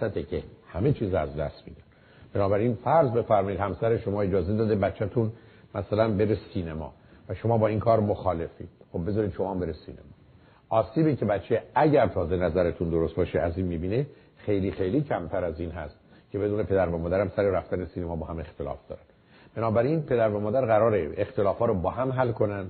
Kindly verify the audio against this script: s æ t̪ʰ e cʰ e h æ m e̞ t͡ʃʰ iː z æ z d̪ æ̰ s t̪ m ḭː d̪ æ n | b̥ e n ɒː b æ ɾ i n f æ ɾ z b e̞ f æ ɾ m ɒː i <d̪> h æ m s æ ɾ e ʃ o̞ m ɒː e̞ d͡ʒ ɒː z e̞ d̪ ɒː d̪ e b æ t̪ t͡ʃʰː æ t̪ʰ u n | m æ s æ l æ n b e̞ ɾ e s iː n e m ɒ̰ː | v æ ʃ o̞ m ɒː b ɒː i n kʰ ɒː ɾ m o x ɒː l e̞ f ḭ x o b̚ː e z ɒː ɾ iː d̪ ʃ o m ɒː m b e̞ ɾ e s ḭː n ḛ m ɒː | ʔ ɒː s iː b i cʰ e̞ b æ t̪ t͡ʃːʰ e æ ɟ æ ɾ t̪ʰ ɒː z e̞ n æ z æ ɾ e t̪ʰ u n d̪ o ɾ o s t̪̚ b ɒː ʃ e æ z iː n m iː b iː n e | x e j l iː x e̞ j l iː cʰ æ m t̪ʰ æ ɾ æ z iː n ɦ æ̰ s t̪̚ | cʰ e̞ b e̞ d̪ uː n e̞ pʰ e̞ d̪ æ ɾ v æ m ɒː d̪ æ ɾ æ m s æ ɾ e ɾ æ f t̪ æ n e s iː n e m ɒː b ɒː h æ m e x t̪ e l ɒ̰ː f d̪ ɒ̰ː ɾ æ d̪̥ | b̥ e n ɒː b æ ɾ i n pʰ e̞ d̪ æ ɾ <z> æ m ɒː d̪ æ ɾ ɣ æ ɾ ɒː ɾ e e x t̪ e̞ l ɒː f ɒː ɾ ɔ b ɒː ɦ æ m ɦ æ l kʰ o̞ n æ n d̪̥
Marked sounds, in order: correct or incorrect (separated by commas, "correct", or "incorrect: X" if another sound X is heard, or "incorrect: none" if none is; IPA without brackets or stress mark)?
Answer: correct, incorrect: v